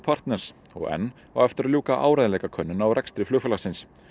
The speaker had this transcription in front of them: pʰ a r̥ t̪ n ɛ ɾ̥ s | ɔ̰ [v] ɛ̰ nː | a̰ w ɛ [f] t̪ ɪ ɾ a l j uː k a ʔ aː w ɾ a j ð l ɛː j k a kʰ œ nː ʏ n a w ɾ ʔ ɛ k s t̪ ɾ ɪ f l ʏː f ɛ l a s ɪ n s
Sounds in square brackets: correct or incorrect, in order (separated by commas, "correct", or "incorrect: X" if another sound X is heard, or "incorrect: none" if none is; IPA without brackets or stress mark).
incorrect: ɣ, correct